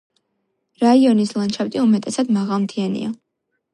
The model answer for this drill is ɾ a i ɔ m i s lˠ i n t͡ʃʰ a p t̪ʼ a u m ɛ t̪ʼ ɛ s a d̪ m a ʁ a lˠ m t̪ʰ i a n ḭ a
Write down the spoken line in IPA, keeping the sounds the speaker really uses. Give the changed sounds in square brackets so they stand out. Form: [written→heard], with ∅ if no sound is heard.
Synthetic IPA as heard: ɾ a i ɔ [m→n] i s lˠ [i→a] n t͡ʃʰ a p t̪ʼ [a→i] u m ɛ t̪ʼ ɛ s a d̪ m a ʁ a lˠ m t̪ʰ i a n ḭ a